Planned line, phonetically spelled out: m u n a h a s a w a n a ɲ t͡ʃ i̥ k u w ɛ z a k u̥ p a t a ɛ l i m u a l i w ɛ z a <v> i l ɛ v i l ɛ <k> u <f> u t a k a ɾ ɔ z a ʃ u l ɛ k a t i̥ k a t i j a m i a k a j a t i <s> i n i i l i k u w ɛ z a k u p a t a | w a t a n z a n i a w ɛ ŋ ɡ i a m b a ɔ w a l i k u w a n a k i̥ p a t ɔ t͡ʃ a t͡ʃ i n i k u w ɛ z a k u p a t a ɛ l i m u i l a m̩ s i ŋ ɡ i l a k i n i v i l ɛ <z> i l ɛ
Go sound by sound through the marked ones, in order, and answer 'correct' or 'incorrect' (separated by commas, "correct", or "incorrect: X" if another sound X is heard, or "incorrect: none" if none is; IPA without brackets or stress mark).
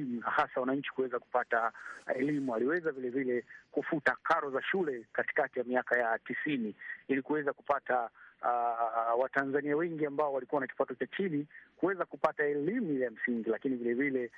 correct, correct, correct, correct, incorrect: v